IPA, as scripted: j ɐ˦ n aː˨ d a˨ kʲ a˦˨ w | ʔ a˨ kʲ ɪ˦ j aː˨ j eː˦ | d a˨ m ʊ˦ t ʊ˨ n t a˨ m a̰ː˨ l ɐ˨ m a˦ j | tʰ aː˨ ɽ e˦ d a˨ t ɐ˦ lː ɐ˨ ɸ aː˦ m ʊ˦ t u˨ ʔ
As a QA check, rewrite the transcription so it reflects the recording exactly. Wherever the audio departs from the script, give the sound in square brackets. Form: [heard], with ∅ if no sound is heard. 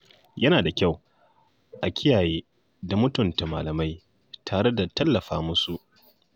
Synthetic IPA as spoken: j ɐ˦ n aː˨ d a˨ kʲ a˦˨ w | ʔ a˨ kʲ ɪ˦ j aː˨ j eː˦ | d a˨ m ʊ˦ t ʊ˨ n t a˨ m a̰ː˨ l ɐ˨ m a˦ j | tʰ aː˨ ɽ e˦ d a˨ t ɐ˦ lː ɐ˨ ɸ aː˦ m ʊ˦ [s] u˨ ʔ

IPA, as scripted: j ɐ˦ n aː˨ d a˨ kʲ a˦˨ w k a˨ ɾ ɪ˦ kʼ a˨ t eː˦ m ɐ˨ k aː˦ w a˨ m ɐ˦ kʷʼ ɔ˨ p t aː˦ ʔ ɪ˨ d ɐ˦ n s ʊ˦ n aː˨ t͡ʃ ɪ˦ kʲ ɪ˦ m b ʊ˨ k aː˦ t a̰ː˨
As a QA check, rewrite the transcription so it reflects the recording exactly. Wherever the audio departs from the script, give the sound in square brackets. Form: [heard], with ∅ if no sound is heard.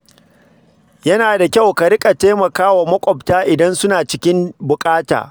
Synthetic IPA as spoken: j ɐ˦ n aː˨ d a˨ kʲ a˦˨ w k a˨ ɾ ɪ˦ kʼ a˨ t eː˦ m ɐ˨ k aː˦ w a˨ m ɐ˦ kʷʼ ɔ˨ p t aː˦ ʔ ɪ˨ d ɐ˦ n s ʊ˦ n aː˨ t͡ʃ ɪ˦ kʲ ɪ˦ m b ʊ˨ [kʼ] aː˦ t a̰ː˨

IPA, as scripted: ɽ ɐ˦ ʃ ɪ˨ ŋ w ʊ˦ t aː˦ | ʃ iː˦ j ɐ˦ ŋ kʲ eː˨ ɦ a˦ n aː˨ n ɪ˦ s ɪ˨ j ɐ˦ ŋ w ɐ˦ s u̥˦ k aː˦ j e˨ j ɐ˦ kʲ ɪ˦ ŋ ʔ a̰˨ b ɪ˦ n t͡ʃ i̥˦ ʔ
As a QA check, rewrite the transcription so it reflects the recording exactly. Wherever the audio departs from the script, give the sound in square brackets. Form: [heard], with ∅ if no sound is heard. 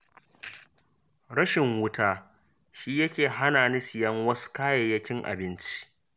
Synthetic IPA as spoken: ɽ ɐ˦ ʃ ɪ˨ ŋ w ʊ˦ t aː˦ | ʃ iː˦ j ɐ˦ [∅] kʲ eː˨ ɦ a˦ n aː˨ n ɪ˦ s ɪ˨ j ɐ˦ ŋ w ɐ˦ s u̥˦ k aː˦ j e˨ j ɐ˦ kʲ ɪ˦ ŋ ʔ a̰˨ b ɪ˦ n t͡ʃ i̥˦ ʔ

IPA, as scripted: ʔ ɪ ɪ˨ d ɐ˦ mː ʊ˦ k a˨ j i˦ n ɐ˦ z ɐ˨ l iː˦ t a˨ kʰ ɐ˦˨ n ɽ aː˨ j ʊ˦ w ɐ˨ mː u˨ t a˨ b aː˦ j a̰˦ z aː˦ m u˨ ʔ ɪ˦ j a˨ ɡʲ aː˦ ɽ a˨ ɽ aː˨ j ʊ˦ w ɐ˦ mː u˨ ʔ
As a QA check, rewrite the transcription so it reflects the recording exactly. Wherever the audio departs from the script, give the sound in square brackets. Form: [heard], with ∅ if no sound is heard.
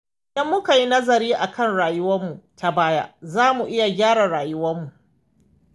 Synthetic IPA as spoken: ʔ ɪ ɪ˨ d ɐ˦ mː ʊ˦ k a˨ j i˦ n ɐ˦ z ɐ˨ [ɾ] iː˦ [ʔ] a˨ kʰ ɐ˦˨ n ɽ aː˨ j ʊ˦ w [ɐ˦] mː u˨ t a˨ b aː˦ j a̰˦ z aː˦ m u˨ ʔ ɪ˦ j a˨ ɡʲ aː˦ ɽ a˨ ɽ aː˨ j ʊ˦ w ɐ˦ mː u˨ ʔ

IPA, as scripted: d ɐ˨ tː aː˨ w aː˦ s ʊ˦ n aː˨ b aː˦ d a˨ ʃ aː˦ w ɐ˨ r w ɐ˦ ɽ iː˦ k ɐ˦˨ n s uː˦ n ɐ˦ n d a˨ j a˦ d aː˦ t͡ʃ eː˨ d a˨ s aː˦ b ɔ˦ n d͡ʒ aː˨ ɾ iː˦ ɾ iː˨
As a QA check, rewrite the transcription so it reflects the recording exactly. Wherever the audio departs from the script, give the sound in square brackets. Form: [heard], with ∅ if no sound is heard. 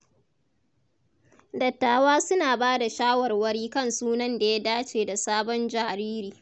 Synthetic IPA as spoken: d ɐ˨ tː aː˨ w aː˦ s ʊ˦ n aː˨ b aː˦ d a˨ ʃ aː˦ w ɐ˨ r w ɐ˦ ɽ iː˦ k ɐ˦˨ n s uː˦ n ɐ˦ n d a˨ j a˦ d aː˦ t͡ʃ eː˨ d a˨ s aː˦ b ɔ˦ n d͡ʒ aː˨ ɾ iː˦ ɾ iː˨

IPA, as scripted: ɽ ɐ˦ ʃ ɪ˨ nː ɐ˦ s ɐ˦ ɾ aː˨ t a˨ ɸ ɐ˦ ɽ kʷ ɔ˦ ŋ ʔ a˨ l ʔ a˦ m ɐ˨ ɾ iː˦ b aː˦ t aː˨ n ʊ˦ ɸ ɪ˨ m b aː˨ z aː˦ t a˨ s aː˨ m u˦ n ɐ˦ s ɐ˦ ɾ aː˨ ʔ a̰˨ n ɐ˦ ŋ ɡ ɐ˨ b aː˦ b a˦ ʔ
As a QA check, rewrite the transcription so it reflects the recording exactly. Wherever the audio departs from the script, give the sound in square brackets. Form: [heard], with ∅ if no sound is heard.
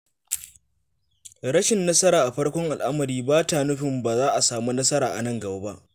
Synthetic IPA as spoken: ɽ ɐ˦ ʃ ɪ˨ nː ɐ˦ s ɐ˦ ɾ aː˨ [ʔ] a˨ ɸ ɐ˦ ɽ kʷ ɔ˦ ŋ ʔ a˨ l ʔ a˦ m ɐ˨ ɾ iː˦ b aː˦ t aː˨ n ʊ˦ ɸ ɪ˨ m b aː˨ z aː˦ [ʔ] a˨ s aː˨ m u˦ n ɐ˦ s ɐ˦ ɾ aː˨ ʔ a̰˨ n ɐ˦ ŋ ɡ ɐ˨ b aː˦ b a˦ ʔ

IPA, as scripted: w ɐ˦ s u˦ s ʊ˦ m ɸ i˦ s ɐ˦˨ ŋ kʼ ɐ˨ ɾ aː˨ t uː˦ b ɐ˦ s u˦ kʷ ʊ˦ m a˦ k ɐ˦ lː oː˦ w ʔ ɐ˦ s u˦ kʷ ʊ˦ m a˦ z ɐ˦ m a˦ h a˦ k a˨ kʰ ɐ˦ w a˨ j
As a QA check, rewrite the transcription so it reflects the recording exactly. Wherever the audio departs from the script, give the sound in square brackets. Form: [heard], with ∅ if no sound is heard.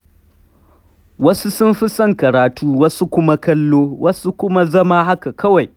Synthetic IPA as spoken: w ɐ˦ s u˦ s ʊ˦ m ɸ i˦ s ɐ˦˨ ŋ [k] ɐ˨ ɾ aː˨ t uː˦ [w] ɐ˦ s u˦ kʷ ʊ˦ m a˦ k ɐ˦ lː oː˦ w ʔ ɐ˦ s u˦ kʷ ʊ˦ m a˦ z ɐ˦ m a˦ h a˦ k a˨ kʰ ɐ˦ w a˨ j

